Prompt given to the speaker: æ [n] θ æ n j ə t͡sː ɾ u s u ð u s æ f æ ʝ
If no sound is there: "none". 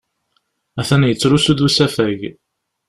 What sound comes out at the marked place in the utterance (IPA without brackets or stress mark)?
none